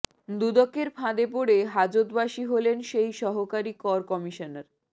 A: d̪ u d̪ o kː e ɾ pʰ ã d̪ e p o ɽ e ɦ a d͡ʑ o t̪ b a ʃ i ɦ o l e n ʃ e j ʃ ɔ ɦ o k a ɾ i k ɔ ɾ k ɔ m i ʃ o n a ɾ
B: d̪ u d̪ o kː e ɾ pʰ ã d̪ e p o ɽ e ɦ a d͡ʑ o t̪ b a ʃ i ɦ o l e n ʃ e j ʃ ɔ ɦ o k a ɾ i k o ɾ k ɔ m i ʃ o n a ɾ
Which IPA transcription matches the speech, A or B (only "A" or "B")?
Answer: A